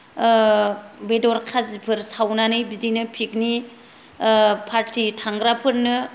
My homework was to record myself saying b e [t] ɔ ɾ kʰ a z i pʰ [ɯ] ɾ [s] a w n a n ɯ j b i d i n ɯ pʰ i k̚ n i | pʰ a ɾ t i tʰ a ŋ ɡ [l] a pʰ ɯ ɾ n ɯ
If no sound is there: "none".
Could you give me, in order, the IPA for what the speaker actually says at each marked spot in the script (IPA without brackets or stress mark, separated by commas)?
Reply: d, ɯ, s, ɾ